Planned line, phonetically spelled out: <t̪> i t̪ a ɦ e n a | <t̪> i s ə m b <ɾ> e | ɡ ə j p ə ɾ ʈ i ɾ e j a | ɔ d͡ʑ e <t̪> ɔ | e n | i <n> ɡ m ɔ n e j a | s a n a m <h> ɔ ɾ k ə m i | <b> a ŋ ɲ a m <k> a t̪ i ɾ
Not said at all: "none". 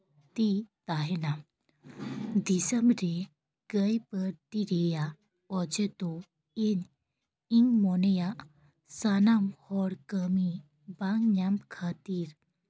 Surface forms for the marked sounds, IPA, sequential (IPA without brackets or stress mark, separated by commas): t̪, d̪, ɾ, t̪, ŋ, h, b, kʰ